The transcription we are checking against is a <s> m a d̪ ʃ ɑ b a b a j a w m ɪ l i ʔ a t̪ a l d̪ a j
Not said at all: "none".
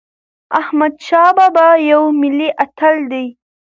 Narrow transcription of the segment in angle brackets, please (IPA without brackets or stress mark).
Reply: h